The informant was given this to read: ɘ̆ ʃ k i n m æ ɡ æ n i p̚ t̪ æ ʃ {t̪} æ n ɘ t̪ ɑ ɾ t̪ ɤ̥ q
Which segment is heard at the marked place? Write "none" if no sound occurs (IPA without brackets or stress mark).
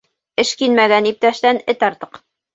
t̪